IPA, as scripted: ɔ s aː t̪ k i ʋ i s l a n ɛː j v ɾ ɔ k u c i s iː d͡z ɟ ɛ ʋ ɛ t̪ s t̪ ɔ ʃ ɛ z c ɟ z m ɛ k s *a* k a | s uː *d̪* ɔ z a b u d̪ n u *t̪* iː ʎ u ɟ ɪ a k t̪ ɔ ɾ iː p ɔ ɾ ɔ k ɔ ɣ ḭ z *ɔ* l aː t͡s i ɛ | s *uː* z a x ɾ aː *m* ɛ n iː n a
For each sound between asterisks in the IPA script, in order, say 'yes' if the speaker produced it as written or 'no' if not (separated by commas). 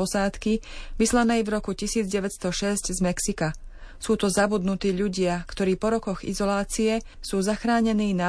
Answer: no, no, yes, yes, yes, no